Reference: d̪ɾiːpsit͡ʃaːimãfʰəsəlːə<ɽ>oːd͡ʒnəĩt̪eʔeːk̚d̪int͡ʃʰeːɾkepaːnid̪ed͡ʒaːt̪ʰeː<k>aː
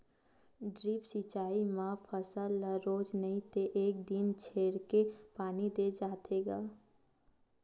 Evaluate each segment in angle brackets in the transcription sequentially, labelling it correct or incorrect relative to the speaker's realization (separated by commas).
incorrect, incorrect